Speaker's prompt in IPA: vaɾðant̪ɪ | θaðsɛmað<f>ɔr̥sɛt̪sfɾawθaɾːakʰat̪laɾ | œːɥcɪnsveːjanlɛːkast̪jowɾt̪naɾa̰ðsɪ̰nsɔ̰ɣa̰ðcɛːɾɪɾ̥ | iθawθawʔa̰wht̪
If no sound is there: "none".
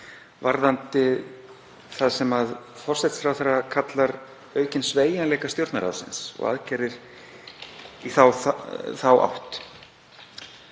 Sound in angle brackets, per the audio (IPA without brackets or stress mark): f